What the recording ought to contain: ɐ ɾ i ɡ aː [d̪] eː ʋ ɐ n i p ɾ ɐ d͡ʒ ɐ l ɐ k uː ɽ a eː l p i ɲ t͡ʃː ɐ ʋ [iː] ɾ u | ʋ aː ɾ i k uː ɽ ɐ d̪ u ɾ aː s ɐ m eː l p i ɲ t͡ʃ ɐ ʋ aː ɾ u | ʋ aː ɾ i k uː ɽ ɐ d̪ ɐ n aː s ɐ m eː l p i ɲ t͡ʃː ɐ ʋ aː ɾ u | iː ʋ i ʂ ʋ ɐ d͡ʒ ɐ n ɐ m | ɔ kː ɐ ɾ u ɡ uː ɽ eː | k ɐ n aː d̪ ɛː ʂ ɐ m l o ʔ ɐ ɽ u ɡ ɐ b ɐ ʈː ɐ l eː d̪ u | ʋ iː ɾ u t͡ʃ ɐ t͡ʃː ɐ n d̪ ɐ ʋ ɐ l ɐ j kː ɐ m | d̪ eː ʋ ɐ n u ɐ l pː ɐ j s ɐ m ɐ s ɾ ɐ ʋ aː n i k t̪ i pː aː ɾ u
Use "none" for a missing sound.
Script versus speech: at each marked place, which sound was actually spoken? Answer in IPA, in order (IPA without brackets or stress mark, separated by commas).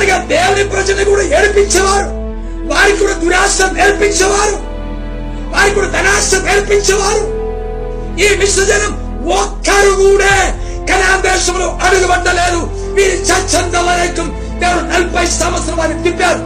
d̪, aː